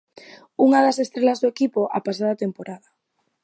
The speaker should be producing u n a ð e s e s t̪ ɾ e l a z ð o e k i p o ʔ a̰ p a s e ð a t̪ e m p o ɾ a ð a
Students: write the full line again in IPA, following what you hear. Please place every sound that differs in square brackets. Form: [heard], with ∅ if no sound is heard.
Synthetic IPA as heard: u [ŋ] a ð [a] s e s t̪ ɾ e l a z ð o e k i p o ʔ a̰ p a s [a] ð a t̪ e m p o ɾ a ð a